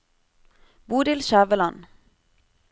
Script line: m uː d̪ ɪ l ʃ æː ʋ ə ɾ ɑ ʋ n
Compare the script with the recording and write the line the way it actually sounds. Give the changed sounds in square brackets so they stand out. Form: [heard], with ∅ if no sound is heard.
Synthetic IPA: [b] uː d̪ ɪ l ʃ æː ʋ ə [l] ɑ [∅] n

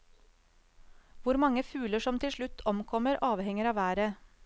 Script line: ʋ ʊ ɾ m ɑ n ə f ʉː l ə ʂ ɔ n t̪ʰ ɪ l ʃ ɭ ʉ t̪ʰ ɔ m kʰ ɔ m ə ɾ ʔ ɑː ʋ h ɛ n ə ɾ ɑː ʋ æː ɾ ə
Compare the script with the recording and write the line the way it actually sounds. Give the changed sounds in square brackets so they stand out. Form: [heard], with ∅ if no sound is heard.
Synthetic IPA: ʋ ʊ ɾ m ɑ [ŋ] ə f ʉː l ə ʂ ɔ [m] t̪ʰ ɪ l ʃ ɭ ʉ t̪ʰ ɔ m kʰ ɔ m ə ɾ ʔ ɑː ʋ h ɛ [ŋ] ə ɾ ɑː ʋ æː ɾ ə

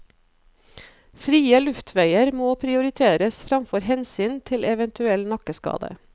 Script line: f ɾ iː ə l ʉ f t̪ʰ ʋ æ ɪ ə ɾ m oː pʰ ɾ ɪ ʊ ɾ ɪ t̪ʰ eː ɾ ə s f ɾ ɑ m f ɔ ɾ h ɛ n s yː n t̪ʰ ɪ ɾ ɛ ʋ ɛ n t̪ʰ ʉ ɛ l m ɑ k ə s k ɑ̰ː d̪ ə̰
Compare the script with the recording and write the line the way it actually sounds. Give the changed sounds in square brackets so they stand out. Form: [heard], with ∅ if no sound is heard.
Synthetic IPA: f ɾ iː ə l ʉ f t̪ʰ ʋ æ ɪ ə ɾ m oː pʰ ɾ ɪ ʊ ɾ ɪ t̪ʰ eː ɾ ə s f ɾ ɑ m f ɔ ɾ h ɛ n s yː n t̪ʰ ɪ [l] ɛ ʋ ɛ n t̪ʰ ʉ ɛ l [n] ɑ k ə s k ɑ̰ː d̪ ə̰

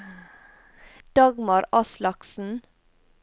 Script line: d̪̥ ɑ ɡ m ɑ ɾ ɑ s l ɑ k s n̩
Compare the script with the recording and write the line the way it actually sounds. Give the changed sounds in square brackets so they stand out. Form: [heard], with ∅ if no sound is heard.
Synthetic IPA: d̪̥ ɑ ɡ m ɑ ɾ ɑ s l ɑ k s n̩

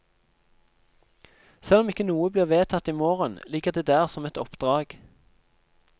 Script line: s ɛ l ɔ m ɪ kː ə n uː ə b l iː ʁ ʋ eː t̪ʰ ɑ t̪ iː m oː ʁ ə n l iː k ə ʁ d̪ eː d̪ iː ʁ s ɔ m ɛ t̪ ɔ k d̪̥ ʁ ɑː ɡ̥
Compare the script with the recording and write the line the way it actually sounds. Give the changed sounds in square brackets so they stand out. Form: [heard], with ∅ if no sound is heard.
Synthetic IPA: s ɛ l ɔ m ɪ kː ə n uː ə b l iː ʁ ʋ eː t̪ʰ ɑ t̪ iː m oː ʁ ə n l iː k ə ʁ d̪ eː d̪ [æː] ʁ s ɔ m ɛ t̪ ɔ [p] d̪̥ ʁ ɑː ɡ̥

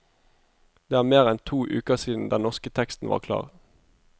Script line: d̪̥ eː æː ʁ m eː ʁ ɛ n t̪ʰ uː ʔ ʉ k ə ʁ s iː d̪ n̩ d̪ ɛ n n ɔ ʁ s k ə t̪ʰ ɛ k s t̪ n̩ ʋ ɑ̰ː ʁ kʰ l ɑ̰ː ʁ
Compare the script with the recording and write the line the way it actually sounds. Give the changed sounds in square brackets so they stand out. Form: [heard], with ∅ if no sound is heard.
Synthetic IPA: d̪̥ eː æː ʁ m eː ʁ ɛ n t̪ʰ uː ʔ [ʉː] k ə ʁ s iː d̪ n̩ d̪ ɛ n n ɔ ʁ s k ə t̪ʰ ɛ k s t̪ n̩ ʋ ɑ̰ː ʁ kʰ l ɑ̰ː ʁ

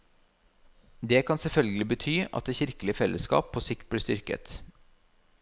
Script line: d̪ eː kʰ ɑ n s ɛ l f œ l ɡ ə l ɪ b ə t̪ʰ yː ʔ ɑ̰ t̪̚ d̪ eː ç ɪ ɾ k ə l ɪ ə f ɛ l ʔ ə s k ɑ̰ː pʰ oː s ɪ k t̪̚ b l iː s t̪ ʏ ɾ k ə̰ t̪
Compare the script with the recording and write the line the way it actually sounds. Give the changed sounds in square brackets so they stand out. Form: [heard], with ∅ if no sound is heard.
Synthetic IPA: d̪ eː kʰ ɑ n s ɛ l f œ l ɡ ə l ɪ b ə t̪ʰ yː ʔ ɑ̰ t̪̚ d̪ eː ç ɪ ɾ k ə l ɪ ə f ɛ l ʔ ə s k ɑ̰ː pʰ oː s ɪ k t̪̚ b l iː s t̪ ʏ ɾ k ə̰ t̪

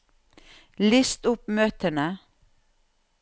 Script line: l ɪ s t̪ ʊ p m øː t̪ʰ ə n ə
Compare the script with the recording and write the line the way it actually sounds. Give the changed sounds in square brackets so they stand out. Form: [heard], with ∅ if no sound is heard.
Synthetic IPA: l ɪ s t̪ ʊ p m øː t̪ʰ ə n ə

